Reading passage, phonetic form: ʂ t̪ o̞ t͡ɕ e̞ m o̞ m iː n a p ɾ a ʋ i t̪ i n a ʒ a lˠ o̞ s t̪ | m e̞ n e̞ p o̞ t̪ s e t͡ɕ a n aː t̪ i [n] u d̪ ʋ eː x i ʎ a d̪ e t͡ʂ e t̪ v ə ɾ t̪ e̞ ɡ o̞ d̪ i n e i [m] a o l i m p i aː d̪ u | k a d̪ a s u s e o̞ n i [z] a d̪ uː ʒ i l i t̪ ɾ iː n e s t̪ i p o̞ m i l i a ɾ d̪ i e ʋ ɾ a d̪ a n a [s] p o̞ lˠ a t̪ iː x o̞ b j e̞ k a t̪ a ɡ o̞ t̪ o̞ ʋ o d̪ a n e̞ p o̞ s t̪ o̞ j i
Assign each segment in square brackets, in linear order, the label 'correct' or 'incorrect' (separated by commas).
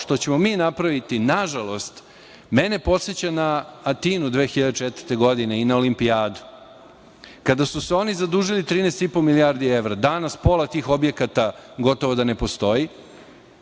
correct, incorrect, correct, correct